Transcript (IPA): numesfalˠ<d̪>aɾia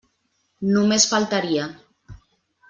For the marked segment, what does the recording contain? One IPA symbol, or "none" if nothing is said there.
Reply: t̪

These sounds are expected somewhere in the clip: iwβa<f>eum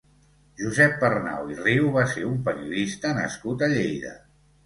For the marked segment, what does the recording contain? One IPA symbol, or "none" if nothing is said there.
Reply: s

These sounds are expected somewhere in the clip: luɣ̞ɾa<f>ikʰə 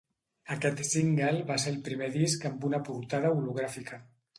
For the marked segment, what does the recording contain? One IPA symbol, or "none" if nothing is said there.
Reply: f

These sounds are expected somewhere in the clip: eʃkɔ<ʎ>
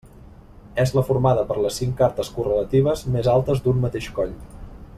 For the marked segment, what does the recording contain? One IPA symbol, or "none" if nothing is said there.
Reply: ʎ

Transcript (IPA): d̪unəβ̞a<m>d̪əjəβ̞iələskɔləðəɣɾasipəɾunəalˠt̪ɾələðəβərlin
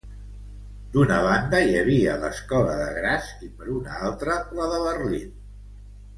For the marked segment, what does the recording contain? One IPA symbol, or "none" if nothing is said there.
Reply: n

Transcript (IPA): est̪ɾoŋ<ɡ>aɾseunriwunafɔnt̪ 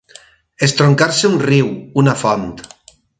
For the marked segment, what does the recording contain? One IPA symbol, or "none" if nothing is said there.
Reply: k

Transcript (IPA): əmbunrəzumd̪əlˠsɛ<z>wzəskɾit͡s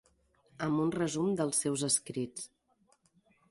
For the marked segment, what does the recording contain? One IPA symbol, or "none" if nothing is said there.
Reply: none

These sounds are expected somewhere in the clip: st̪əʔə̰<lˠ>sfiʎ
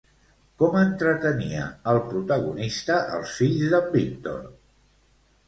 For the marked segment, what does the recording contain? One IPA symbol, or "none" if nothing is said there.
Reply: lˠ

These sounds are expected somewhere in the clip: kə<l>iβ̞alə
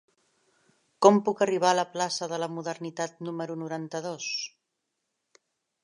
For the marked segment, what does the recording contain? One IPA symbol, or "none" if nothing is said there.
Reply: r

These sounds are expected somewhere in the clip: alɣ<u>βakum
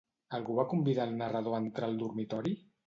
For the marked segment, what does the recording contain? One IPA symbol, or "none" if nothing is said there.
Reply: u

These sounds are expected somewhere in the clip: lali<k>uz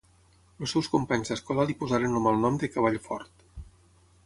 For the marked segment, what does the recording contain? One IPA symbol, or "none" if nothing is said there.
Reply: p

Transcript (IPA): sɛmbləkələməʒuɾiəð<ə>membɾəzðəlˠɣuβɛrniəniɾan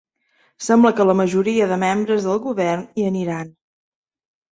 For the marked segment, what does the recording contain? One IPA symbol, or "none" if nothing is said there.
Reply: ə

